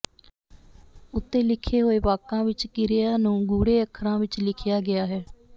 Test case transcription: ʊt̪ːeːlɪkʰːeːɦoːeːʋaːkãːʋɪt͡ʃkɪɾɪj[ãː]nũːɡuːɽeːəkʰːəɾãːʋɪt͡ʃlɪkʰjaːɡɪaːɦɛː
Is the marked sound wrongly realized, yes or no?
yes